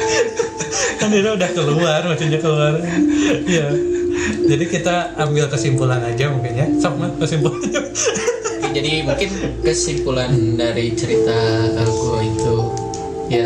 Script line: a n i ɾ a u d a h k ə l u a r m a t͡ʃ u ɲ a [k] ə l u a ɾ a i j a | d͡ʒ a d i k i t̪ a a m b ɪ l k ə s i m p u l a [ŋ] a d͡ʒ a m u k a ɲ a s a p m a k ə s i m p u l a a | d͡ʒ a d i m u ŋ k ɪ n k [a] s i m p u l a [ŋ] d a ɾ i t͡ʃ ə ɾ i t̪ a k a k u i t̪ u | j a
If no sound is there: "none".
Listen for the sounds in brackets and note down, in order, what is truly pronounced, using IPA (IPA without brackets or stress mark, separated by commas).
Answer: k, n, ə, n